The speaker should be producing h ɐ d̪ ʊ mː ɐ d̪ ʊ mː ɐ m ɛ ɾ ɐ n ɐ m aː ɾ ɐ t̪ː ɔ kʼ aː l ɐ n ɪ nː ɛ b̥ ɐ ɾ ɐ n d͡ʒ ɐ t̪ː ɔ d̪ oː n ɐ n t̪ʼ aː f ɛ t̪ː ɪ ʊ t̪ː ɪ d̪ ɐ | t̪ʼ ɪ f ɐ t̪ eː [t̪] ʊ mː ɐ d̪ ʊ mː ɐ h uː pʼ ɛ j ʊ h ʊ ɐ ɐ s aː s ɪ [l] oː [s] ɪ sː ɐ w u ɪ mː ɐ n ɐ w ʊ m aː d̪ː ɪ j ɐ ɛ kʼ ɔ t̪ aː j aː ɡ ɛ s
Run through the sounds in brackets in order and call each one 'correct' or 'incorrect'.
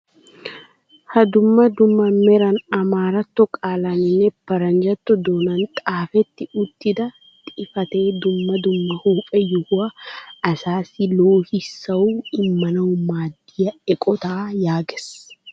incorrect, correct, incorrect

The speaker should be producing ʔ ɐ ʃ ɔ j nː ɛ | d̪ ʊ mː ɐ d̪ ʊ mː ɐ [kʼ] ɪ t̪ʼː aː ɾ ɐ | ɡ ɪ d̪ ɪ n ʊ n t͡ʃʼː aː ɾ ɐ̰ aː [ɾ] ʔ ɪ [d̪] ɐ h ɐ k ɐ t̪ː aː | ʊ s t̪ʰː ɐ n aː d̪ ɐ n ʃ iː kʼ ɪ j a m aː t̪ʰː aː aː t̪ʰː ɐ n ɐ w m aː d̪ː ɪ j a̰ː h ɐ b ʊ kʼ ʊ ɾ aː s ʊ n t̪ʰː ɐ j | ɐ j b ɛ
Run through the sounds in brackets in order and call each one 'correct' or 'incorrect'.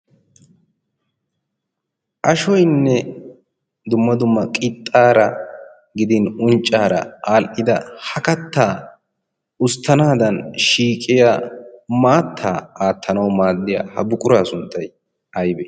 correct, incorrect, correct

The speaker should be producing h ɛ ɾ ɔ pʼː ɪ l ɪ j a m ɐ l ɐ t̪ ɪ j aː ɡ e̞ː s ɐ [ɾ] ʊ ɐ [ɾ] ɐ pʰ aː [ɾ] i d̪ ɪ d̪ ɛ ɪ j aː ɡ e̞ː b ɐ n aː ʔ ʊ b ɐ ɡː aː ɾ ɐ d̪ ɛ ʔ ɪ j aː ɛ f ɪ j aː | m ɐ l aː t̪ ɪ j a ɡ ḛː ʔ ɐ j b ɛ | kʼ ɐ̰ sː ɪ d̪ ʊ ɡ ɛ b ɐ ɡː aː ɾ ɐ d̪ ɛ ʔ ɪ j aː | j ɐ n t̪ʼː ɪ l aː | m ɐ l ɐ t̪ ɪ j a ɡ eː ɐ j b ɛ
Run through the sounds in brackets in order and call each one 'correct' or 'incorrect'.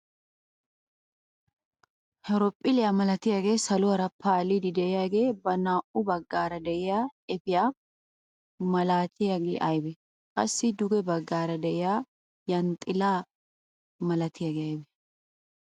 incorrect, correct, incorrect

